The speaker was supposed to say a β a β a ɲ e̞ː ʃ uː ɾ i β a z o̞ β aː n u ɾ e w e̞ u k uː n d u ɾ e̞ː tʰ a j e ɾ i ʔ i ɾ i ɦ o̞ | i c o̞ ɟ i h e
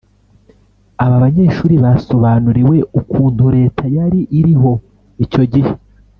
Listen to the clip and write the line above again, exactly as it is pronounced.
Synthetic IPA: a β a β a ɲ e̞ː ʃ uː ɾ i β a s o̞ β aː n u ɾ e w e̞ u k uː n d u ɾ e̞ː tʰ a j a ɾ i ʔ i ɾ i ɦ o̞ | i c o̞ ɟ i h e